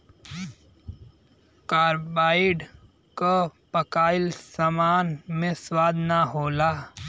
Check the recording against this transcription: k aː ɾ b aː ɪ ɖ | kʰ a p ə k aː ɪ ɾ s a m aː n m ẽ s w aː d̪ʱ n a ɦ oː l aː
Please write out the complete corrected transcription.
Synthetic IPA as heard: k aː ɾ b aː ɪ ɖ | k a p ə k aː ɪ l s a m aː n m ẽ s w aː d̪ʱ n a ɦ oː l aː